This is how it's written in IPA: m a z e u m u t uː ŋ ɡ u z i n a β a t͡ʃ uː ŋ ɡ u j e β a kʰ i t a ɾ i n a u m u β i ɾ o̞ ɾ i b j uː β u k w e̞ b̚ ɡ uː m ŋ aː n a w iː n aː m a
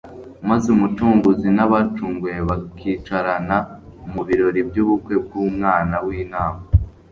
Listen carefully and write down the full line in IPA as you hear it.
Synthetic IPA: m a z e u m u t uː ŋ ɡ u z i n a β a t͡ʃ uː ŋ ɡ u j e β a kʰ i t͡ʃ a ɾ a n a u m u β i ɾ o̞ ɾ i b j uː β u k w e̞ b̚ ɡ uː m ŋ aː n a w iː n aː m a